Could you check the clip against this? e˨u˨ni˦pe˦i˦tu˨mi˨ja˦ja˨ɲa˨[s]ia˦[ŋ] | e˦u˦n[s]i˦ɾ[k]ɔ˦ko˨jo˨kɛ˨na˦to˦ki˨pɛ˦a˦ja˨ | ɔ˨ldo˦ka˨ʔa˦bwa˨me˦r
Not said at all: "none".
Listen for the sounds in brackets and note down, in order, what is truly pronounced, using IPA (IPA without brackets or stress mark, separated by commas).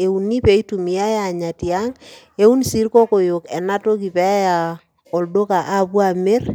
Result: t, ŋ, s, k